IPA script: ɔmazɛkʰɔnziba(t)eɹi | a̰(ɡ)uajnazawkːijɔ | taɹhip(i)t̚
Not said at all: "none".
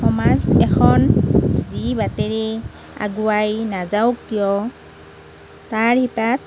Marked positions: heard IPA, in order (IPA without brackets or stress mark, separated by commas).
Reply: t, ɡ, a